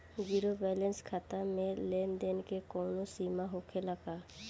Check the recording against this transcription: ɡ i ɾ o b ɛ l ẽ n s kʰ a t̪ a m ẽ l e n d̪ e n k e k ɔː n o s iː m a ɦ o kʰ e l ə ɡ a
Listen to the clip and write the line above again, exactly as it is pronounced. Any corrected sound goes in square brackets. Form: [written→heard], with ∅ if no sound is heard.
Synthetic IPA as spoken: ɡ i ɾ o b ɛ l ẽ n s kʰ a t̪ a m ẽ l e n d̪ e n k e k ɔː n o s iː m a ɦ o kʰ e l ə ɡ a